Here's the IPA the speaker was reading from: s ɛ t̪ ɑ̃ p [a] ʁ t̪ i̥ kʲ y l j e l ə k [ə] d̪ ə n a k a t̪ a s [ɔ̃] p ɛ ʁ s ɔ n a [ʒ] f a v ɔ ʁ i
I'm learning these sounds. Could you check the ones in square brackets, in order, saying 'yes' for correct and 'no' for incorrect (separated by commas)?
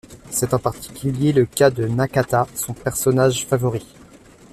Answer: yes, no, yes, yes